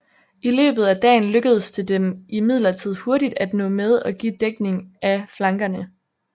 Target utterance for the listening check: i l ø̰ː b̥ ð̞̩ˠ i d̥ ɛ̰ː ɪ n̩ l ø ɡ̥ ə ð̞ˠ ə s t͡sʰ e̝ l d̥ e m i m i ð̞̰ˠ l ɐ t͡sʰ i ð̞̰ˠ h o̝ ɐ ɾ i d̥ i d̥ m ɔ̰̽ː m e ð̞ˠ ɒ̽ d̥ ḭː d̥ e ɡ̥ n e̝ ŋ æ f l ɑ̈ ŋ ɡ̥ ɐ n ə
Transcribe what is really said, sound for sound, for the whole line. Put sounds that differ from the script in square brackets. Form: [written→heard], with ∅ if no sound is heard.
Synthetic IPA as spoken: i l ø̰ː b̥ ð̞̩ˠ [i→æ] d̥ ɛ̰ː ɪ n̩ l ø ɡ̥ ə ð̞ˠ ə s t͡sʰ e̝ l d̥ e m i m i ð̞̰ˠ l ɐ t͡sʰ i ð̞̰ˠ h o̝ ɐ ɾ i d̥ [i→æ] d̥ [m→n] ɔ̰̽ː m e ð̞ˠ ɒ̽ [d̥→ɡ̥] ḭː d̥ e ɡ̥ n e̝ ŋ æ f l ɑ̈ ŋ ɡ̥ ɐ n ə